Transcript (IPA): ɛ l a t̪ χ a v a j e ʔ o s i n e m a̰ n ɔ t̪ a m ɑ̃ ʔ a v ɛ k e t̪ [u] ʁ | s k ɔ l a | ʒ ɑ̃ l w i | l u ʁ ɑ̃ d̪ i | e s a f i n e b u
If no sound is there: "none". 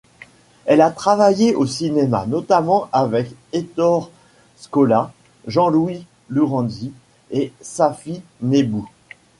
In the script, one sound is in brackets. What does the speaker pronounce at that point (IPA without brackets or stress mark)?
ɔ